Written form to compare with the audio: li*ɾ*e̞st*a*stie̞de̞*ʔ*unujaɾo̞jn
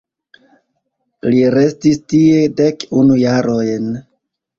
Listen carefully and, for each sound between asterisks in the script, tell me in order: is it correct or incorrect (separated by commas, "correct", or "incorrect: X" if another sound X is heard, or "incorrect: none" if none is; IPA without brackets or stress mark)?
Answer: correct, incorrect: i, incorrect: k